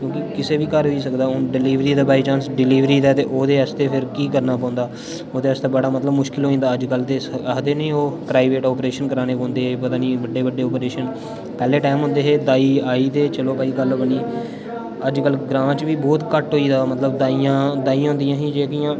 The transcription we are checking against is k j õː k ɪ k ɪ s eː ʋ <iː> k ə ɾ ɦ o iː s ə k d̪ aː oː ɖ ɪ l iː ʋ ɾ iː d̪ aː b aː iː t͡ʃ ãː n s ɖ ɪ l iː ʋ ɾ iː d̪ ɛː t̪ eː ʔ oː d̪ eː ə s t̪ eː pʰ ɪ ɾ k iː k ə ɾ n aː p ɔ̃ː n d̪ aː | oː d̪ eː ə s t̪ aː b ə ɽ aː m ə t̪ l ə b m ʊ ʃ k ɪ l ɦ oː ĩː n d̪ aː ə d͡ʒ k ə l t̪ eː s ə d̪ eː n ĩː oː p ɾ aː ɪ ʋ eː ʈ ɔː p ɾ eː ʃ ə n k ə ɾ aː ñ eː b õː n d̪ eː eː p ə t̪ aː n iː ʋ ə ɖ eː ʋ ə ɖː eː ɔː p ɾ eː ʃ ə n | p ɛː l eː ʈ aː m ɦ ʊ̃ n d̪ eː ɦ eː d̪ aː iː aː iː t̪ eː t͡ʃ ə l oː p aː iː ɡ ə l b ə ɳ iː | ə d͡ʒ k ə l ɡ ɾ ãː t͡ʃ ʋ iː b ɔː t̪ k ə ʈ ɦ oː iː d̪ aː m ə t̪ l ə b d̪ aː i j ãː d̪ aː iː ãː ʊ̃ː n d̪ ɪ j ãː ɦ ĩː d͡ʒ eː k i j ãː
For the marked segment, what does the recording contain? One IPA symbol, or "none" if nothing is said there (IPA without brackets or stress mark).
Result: iː